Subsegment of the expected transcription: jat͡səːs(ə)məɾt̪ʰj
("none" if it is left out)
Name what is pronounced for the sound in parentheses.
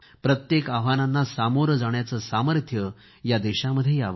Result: a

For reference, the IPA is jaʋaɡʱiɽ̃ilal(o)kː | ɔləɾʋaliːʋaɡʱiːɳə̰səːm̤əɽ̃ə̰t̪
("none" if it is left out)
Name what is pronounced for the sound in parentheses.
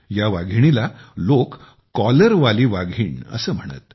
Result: o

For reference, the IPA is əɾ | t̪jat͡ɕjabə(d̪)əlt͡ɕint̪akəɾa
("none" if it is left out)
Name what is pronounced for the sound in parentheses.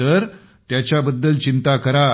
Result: d̪ː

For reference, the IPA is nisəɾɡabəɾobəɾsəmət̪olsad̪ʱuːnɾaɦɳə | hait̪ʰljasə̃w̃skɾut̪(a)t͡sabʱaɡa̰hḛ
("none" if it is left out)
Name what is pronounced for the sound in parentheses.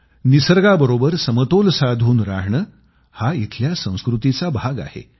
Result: i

